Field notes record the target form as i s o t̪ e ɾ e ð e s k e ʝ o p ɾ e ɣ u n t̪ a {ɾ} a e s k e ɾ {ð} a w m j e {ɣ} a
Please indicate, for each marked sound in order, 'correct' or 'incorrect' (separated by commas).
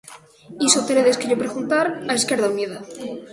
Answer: correct, correct, incorrect